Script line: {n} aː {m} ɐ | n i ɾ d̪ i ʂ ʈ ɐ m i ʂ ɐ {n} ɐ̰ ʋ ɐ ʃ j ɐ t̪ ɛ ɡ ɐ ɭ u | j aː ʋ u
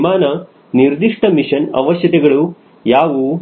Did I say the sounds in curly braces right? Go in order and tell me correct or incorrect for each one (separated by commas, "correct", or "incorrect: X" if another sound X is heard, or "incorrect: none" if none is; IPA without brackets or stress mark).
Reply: incorrect: m, incorrect: n, correct